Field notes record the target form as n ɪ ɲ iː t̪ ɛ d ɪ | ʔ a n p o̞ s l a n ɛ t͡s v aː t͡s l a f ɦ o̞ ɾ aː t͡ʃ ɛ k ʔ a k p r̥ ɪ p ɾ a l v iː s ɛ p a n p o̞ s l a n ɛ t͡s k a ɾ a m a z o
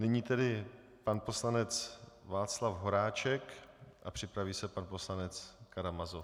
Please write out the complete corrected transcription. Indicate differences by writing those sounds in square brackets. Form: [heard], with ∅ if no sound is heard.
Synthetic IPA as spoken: n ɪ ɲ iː t̪ ɛ d ɪ | [p] a n p o̞ s l a n ɛ t͡s v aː t͡s l a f ɦ o̞ ɾ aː t͡ʃ ɛ k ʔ a [∅] p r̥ ɪ p ɾ a [∅] v iː s ɛ p a n p o̞ s l a n ɛ t͡s k a ɾ a m a z o